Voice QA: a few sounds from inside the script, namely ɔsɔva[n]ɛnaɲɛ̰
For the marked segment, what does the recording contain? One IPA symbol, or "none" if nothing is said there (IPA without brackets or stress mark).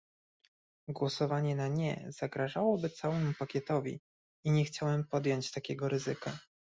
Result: ɲ